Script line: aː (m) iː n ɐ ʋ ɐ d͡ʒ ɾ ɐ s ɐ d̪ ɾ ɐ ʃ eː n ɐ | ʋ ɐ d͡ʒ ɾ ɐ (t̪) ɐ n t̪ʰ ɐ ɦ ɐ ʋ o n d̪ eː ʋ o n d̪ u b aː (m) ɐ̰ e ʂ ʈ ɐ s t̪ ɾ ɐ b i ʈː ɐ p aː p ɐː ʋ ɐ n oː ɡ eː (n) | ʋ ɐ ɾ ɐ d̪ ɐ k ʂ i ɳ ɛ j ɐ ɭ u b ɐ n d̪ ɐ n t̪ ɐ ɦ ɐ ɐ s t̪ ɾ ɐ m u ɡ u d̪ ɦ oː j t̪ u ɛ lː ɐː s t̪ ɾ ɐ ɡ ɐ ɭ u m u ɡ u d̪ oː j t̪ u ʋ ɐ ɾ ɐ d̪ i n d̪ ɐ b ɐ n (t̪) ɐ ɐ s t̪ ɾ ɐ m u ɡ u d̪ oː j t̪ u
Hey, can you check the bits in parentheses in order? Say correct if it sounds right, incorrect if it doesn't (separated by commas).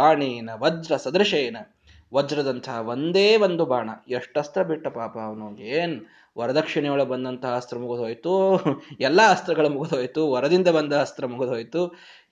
incorrect, incorrect, incorrect, correct, incorrect